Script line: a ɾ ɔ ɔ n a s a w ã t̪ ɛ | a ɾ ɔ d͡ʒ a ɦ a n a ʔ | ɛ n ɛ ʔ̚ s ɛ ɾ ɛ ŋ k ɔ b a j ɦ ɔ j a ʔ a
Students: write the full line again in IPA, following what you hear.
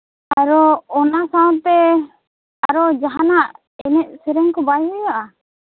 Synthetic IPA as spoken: a ɾ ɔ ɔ n a s a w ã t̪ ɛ | a ɾ ɔ d͡ʒ a ɦ a n a ʔ | ɛ n ɛ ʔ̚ s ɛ ɾ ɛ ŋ k ɔ b a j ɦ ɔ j a ʔ a